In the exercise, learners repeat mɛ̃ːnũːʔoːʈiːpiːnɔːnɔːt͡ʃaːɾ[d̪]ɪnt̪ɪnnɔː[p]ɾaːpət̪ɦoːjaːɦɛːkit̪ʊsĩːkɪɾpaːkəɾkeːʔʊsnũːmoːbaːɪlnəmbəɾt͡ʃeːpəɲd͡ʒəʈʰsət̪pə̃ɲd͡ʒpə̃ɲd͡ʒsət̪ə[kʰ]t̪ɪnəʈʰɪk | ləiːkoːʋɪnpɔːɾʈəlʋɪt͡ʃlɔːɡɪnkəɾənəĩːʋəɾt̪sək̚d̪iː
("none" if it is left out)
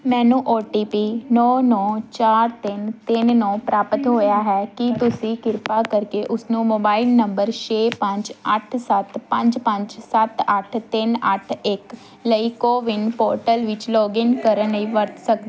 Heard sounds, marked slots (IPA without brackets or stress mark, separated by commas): t̪, p, ʈʰ